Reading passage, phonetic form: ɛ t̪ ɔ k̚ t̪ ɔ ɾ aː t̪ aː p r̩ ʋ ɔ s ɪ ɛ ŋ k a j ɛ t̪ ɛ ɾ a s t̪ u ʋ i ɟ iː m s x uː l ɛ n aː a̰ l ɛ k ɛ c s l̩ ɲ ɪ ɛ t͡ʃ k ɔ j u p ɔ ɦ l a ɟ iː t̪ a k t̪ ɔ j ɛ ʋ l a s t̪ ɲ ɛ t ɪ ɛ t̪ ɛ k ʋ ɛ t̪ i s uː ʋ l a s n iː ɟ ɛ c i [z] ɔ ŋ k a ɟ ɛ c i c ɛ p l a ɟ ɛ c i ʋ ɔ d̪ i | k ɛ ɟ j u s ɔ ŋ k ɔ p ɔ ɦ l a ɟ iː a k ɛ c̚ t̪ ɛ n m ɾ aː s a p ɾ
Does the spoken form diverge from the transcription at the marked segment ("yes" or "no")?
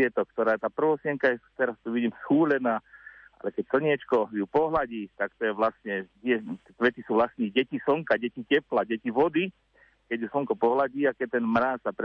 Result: yes